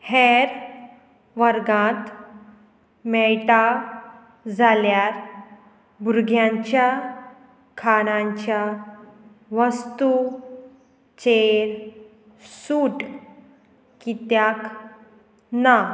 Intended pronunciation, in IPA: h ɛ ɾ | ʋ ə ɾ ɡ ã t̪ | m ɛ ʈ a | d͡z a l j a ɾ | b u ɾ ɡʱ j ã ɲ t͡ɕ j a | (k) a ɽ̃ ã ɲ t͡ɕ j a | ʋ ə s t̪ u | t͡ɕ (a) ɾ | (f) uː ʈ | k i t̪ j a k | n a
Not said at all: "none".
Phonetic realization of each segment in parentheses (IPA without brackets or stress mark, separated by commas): kʰ, e, s